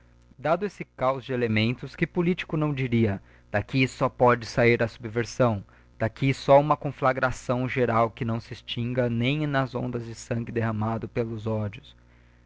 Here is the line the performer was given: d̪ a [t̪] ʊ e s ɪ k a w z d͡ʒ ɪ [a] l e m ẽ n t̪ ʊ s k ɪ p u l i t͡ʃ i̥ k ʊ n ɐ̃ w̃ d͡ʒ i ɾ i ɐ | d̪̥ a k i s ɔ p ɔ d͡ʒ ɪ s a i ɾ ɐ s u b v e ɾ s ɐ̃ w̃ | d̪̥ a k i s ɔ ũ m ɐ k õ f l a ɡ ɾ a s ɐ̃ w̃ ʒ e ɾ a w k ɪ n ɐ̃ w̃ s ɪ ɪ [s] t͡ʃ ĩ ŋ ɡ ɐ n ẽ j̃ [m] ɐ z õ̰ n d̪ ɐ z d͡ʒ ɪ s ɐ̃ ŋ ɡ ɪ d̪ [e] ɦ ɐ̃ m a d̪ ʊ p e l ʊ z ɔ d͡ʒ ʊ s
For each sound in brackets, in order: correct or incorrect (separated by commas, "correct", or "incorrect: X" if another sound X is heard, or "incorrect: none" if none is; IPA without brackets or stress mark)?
incorrect: d̪, incorrect: e, correct, incorrect: n, correct